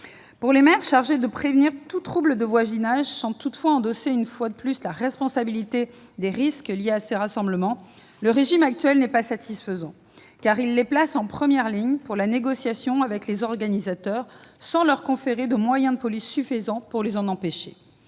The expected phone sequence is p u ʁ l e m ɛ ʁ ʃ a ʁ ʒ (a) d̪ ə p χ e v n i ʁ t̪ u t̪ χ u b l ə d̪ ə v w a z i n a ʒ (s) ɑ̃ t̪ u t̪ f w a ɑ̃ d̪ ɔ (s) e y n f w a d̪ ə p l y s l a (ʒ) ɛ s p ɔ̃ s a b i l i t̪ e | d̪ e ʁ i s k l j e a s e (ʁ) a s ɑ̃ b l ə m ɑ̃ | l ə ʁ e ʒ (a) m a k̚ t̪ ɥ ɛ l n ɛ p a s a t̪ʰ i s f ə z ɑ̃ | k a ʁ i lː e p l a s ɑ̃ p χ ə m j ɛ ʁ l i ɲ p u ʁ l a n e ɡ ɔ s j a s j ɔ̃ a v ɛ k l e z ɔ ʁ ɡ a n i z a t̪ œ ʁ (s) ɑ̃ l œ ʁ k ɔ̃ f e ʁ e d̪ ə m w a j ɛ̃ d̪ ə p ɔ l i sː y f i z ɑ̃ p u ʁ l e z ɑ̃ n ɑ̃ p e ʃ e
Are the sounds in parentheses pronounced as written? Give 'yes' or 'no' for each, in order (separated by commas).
no, yes, yes, no, yes, no, yes